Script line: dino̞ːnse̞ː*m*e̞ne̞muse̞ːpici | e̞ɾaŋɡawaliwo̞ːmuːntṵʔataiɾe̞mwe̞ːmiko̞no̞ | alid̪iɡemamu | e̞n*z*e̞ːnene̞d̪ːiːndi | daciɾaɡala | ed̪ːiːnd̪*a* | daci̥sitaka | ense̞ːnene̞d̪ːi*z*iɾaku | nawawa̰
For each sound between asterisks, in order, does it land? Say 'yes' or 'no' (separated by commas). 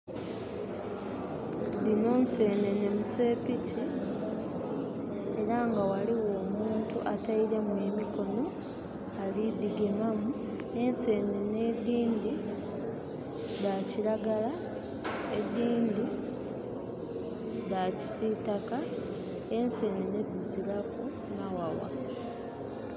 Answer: no, no, no, yes